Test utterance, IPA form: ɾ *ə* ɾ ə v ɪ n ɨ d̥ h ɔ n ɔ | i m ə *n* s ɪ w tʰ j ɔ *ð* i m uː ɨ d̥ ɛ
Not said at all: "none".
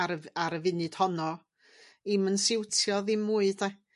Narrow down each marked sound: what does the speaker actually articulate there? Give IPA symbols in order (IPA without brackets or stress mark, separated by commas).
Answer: a, n, ð